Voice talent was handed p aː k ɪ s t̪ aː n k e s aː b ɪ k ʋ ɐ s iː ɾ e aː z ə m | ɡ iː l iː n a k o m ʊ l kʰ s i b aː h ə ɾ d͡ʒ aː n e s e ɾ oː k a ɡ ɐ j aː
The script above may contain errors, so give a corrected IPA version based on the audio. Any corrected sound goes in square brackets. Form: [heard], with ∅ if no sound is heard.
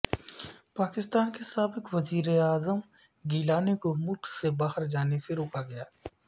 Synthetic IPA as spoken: p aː k ɪ s t̪ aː n k e s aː b ɪ k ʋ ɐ [z] iː ɾ e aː z ə m | ɡ iː l [aː] n [e] k o m ʊ l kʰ s [e] b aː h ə ɾ d͡ʒ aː n e s e ɾ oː k a ɡ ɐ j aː